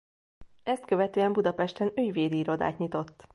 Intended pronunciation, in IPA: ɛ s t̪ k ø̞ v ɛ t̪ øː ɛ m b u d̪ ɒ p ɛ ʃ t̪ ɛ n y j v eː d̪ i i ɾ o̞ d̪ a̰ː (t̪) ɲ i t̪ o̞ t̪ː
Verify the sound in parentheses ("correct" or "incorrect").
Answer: correct